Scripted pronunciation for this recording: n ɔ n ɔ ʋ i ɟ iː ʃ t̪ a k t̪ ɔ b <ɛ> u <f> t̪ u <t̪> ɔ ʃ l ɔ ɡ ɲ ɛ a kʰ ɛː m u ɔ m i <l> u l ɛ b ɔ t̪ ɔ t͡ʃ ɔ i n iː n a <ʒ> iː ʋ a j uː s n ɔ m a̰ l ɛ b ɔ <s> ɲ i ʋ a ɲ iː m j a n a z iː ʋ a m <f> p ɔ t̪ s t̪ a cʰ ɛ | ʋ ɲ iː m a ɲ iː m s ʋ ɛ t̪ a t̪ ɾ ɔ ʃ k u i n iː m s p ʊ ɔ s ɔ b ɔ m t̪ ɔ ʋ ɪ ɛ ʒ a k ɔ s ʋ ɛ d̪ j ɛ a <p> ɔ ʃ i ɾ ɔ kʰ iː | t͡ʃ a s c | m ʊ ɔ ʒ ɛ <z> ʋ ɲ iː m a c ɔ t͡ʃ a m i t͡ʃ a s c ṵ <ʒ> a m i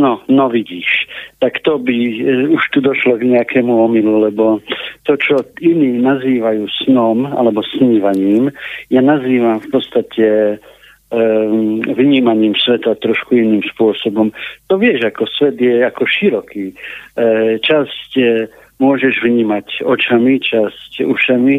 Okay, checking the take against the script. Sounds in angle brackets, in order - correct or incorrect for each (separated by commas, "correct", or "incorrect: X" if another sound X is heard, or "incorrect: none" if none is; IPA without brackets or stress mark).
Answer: incorrect: i, incorrect: ʃ, incorrect: d̪, correct, incorrect: z, correct, correct, incorrect: k, incorrect: ʒ, incorrect: ʃ